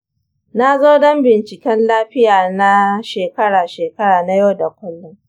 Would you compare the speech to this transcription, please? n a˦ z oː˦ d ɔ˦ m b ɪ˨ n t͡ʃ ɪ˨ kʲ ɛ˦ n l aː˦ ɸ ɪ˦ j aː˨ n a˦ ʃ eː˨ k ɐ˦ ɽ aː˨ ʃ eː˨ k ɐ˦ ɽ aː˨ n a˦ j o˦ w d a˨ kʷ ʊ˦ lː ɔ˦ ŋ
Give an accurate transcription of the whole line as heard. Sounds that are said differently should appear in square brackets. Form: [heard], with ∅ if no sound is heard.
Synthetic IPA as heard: n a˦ z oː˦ d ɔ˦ m b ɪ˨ n t͡ʃ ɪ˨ kʲ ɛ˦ n l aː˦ ɸ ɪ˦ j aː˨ n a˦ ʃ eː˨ k ɐ˦ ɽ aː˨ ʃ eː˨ k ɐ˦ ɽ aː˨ n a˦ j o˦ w d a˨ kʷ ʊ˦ lː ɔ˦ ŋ